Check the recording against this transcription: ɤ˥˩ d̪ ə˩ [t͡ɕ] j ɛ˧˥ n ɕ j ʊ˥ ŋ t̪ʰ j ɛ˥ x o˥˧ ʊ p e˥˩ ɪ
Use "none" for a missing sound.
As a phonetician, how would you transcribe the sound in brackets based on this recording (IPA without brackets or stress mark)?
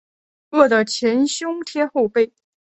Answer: t͡ɕʰ